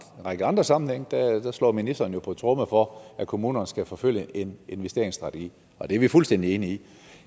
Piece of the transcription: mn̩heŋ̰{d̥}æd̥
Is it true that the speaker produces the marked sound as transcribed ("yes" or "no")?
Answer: yes